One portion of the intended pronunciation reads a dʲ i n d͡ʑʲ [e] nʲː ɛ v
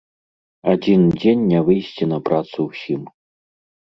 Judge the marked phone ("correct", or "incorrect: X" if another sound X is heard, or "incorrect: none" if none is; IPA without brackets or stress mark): correct